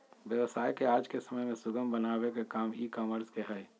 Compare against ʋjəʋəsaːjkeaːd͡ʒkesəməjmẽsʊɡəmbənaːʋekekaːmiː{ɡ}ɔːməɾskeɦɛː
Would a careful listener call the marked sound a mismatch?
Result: yes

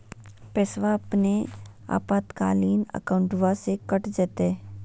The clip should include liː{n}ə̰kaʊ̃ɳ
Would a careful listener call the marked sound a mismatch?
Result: no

